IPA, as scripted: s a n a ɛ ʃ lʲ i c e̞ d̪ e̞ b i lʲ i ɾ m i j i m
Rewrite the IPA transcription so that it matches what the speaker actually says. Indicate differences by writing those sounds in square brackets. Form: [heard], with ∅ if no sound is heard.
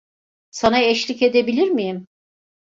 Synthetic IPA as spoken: s a n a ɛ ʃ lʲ i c e̞ d̪ e̞ b i lʲ i ɾ m i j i m